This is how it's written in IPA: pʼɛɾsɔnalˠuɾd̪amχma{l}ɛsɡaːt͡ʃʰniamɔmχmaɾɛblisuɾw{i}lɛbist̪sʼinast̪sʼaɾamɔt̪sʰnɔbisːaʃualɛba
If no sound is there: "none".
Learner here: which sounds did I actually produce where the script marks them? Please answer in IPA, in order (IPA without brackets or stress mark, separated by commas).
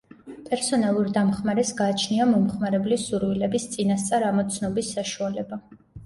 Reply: ɾ, i